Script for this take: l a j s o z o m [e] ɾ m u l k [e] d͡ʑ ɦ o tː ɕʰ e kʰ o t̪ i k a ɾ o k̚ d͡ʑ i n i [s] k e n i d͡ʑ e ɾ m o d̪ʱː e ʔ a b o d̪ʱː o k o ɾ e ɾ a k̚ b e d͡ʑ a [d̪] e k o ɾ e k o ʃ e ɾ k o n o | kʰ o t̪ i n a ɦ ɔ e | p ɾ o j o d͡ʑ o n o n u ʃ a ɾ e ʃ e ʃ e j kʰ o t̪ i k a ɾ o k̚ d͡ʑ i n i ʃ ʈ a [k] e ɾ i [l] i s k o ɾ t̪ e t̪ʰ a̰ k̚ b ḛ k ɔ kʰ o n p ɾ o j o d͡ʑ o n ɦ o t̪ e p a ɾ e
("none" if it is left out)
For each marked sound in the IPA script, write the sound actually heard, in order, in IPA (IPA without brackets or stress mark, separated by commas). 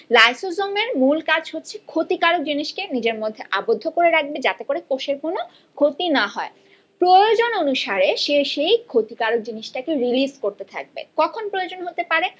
e, a, ʃ, t̪, k, l